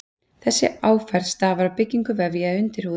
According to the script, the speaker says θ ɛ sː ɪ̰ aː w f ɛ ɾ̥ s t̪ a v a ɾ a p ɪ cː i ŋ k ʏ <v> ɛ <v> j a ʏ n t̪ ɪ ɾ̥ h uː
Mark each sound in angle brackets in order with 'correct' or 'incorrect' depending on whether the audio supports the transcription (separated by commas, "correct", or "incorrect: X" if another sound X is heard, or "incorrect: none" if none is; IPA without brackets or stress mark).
correct, correct